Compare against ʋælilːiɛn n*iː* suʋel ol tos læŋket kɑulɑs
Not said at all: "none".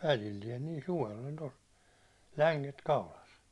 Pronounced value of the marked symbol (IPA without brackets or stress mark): iː